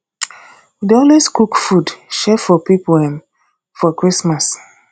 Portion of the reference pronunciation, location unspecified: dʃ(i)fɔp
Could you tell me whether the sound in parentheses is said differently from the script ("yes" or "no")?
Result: yes